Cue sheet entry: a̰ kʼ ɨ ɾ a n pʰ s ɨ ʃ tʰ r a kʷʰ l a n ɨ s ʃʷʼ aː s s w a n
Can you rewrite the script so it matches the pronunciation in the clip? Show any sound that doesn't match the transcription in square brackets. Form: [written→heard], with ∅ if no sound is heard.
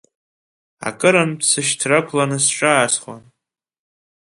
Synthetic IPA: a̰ kʼ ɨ ɾ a n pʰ s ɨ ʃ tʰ r a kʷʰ l a n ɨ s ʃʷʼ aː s [s→χ] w a n

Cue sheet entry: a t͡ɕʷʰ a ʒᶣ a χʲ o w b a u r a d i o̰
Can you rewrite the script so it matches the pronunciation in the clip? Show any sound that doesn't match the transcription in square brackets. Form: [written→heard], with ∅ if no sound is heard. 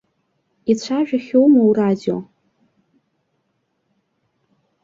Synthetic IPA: [a→i] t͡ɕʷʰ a ʒᶣ a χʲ o w [b→m] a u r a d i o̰

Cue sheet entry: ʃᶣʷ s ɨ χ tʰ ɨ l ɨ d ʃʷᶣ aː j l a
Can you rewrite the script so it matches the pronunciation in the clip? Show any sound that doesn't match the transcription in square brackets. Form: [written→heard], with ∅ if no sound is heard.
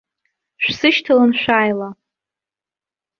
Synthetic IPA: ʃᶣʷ s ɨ [χ→ʃ] tʰ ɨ l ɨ [d→n] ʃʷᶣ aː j l a

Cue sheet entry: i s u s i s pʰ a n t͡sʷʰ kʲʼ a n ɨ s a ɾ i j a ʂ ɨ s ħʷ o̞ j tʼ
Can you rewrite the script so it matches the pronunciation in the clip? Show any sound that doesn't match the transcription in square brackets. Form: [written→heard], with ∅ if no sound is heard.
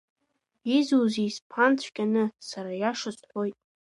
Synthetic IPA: i [s→z] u [s→z] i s pʰ a n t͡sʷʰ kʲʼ a n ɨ s a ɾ [i→a] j a ʂ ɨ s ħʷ o̞ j tʼ

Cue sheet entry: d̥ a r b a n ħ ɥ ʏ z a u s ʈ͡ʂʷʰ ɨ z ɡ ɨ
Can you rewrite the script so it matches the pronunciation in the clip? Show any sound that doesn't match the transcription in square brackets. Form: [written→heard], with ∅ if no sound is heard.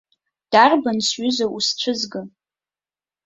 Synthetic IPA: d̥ a r b a n [ħ→s] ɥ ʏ z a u s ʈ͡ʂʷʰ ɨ z ɡ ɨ

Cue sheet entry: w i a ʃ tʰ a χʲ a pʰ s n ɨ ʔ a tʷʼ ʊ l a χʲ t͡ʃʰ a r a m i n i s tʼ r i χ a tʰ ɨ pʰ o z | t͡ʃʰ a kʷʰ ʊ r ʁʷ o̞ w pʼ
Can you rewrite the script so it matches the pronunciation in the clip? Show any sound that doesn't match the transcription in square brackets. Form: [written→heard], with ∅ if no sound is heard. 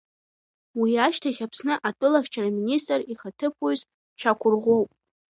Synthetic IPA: w i a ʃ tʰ a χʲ a pʰ s n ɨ ʔ a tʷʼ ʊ l a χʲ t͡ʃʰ a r a m i n i s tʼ r i χ a tʰ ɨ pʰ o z | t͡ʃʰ a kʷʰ ʊ r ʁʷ o̞ w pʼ

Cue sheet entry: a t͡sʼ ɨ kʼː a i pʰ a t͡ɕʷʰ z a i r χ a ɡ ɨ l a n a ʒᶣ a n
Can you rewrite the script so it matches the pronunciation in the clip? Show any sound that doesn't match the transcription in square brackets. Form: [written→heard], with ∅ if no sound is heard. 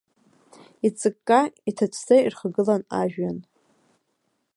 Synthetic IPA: [a→i] t͡sʼ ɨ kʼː a i [pʰ→tʰ] a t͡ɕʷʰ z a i r χ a ɡ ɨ l a n a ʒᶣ a n

